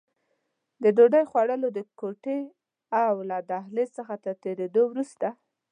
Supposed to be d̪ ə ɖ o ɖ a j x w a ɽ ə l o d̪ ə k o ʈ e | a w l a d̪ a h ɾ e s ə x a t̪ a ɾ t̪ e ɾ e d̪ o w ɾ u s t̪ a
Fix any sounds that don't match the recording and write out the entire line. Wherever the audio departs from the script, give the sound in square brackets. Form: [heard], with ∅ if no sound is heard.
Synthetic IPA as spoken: d̪ ə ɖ o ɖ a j x w a ɽ ə l o d̪ ə k o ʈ e | a w l a d̪ a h [l] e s ə x a t̪ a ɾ t̪ e ɾ e d̪ o w ɾ u s t̪ a